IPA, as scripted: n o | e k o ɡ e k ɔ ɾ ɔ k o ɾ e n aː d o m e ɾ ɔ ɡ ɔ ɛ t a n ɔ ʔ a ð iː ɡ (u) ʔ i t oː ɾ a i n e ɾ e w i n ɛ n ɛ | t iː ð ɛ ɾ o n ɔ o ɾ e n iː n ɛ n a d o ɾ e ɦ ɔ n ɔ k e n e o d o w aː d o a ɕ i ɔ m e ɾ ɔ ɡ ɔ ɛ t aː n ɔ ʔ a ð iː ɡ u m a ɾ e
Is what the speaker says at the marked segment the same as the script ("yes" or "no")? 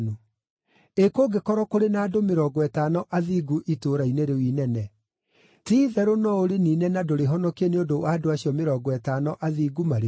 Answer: yes